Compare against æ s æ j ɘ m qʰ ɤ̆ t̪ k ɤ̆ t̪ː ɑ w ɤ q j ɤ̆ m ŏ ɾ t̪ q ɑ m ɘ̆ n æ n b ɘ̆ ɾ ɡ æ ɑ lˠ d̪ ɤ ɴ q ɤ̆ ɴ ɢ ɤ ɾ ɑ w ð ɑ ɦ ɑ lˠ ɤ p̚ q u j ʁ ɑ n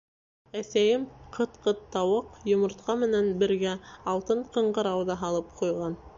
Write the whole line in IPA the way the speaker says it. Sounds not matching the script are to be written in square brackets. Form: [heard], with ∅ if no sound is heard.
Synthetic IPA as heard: æ s æ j ɘ m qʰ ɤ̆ t̪ [q] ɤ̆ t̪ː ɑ w ɤ q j [ŏ] m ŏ ɾ t̪ q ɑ m ɘ̆ n æ n b ɘ̆ ɾ ɡ æ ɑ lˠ [t̪] ɤ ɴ q ɤ̆ ɴ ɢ ɤ ɾ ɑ w ð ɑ ɦ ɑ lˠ ɤ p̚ q u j ʁ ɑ n